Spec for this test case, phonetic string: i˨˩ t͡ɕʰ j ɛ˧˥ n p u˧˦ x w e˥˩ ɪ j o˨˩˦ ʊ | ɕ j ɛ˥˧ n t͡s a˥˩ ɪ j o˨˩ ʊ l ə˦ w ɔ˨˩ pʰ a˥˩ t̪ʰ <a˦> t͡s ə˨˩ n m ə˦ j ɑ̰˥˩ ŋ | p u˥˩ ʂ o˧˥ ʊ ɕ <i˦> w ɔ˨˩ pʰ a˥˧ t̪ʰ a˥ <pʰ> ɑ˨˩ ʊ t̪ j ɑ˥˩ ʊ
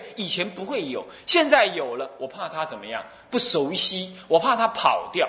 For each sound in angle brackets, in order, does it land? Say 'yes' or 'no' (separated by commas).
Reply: yes, yes, yes